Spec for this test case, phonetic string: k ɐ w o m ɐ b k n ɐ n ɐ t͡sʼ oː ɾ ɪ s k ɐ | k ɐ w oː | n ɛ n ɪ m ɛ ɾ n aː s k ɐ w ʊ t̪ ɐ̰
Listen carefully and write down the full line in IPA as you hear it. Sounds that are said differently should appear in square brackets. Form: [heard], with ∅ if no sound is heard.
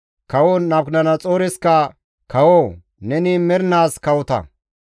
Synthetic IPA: k ɐ w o [n] ɐ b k n ɐ n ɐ t͡sʼ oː ɾ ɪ s k ɐ | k ɐ w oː | n ɛ n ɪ m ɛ ɾ n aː s k ɐ w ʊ t̪ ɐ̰